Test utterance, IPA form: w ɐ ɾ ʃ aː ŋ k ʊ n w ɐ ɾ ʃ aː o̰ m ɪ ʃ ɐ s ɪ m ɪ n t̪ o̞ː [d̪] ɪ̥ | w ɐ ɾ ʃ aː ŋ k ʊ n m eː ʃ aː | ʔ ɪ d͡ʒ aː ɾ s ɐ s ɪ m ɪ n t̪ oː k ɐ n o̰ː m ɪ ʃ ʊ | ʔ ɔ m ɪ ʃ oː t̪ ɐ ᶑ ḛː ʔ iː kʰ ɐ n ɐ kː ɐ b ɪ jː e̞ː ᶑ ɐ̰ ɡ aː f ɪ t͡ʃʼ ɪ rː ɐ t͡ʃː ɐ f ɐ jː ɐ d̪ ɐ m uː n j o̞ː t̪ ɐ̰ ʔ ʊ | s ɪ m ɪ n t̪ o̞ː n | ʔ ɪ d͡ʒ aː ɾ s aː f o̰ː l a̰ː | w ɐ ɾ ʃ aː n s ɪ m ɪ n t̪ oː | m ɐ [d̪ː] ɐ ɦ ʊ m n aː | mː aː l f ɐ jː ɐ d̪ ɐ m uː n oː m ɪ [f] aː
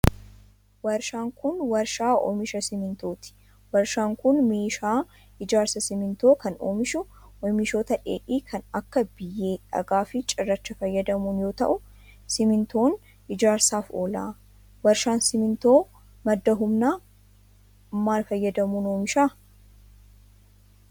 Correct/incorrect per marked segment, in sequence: incorrect: t̪, correct, incorrect: ʃ

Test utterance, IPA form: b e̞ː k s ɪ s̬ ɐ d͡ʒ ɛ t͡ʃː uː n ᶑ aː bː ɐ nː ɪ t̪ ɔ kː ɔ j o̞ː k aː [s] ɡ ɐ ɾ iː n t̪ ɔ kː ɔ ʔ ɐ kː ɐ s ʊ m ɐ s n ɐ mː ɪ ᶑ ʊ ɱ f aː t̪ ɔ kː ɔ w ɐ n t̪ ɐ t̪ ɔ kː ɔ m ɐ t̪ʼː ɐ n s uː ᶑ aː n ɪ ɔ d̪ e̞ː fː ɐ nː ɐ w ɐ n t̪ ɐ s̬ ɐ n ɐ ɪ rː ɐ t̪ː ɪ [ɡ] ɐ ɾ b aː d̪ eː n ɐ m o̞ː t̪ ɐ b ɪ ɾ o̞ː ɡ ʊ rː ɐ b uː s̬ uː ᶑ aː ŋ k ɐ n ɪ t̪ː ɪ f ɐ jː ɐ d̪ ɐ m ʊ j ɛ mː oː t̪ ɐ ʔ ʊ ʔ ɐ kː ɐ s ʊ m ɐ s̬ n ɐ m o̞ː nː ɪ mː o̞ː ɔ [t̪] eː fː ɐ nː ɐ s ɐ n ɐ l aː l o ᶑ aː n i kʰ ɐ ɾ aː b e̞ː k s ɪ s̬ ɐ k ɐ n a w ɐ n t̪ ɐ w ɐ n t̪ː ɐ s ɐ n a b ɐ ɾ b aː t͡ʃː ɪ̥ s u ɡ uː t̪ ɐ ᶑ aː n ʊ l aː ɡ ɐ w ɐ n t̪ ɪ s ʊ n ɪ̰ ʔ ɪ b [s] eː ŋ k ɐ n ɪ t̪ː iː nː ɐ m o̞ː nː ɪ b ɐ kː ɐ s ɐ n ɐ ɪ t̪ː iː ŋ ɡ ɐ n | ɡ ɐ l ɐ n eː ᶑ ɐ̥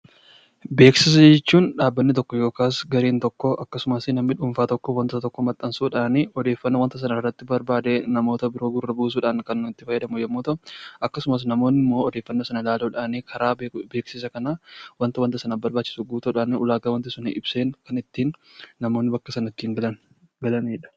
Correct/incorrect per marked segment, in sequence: correct, incorrect: b, incorrect: d̪, correct

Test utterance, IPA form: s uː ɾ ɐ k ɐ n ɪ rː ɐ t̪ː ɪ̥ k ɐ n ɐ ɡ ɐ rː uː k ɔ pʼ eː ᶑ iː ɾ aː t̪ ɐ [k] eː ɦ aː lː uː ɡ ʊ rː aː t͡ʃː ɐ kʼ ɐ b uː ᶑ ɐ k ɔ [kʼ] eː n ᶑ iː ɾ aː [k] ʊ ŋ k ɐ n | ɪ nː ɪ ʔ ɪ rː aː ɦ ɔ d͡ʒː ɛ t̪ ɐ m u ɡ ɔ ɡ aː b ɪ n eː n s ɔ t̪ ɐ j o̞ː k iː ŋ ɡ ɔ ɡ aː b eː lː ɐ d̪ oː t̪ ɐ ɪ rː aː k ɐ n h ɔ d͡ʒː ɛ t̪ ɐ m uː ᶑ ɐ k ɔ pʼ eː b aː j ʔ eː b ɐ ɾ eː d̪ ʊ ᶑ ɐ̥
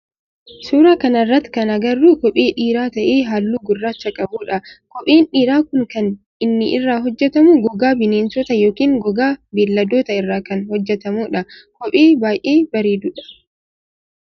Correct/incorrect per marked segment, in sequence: incorrect: ʔ, incorrect: pʼ, correct

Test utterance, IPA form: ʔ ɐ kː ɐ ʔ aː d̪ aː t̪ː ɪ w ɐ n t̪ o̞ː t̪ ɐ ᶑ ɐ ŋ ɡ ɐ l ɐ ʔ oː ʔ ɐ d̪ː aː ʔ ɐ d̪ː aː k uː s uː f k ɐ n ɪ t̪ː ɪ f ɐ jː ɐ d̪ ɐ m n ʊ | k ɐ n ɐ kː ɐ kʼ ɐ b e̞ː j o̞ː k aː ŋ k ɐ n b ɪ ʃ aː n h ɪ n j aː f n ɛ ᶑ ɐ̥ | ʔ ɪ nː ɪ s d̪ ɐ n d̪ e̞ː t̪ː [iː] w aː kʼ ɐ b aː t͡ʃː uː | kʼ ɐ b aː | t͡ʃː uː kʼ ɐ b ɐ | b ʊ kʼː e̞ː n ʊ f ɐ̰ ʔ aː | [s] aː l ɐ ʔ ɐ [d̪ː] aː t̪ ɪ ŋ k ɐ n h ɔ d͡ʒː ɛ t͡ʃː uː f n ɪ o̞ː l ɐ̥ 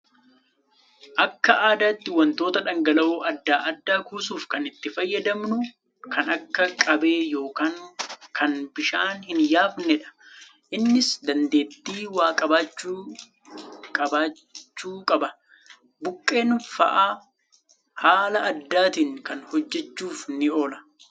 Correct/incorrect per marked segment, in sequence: correct, incorrect: h, correct

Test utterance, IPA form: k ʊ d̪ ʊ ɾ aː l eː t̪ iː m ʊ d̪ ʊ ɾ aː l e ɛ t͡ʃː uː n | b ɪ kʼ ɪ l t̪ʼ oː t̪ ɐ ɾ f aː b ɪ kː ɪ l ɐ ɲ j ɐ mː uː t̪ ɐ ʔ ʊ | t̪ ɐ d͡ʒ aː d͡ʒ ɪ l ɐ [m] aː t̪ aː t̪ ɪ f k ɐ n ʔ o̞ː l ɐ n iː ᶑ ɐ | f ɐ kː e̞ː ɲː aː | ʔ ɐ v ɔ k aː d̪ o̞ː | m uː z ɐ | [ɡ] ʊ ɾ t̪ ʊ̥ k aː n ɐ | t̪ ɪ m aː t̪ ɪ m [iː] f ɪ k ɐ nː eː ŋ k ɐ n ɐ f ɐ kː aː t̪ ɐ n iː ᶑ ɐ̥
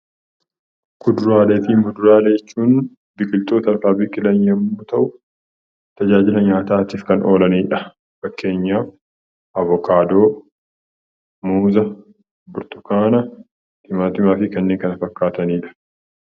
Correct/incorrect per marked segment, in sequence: incorrect: ɲ, incorrect: b, incorrect: aː

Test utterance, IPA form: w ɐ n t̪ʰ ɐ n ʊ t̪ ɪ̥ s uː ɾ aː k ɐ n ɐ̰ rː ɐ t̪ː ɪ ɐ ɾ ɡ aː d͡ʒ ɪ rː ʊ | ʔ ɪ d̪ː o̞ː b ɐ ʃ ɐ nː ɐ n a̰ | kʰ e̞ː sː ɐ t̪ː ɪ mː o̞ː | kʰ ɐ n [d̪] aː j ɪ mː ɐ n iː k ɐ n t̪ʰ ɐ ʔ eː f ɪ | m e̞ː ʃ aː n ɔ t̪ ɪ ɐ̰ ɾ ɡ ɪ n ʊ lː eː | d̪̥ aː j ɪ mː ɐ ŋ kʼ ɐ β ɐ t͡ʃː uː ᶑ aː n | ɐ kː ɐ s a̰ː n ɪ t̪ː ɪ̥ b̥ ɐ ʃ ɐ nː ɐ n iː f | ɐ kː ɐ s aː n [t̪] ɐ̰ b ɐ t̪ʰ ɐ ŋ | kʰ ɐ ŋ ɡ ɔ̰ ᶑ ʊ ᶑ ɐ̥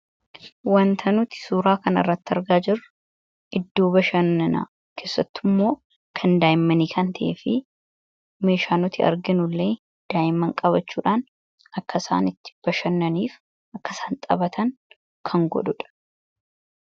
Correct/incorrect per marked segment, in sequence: correct, incorrect: t̪ʼ

